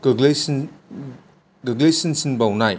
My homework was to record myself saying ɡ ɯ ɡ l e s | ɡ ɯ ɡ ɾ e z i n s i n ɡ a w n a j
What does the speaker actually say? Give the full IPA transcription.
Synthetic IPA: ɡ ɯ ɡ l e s | ɡ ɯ ɡ l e s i n s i n b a w n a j

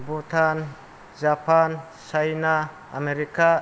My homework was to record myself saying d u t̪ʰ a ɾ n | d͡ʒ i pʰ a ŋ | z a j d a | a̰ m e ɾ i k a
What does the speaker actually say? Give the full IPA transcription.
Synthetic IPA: b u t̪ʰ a n | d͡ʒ a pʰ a n | s a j n a | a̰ m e ɾ i k a

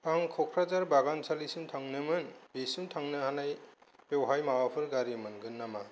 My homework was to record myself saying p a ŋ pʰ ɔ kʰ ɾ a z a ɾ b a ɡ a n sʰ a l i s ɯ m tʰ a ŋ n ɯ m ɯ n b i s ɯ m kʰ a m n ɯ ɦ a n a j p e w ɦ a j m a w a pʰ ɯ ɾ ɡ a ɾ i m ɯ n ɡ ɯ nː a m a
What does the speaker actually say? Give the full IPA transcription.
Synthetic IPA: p a ŋ kʰ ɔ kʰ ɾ a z a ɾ b a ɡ a n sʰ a l i s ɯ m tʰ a ŋ n ɯ m ɯ n b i s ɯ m tʰ a ŋ n ɯ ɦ a n a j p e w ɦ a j m a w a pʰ ɯ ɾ ɡ a ɾ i m ɯ n ɡ ɯ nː a m a

